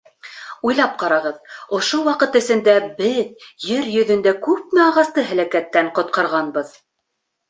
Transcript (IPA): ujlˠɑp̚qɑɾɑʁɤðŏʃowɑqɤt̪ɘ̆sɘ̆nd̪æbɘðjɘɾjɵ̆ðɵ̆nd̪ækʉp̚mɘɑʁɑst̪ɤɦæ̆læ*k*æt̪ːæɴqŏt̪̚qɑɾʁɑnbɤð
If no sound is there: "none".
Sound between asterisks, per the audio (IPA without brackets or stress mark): k